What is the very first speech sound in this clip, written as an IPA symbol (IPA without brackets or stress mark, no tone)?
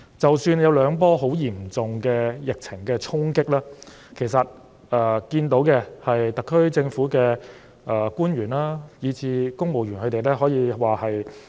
t͡s